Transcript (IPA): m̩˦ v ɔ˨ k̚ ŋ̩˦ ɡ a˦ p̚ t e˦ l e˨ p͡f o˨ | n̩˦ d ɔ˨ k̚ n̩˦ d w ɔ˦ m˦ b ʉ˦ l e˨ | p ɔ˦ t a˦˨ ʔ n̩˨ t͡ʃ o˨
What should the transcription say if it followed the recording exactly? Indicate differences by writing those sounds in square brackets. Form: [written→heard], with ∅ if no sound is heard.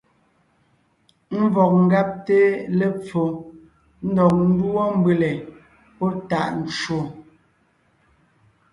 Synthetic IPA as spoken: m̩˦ v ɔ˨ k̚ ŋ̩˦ ɡ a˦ p̚ t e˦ l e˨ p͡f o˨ | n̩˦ d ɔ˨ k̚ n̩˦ d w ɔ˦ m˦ b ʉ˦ l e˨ | p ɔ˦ t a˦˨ ʔ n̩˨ t͡ʃ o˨